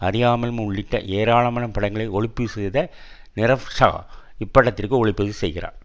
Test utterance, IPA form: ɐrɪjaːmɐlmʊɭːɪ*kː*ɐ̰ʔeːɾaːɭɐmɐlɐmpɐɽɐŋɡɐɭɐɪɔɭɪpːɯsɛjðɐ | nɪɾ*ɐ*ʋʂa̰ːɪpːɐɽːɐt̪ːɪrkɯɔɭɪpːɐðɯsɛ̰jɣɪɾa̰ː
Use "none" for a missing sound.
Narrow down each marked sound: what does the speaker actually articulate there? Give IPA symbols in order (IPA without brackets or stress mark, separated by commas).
ʈː, ɐ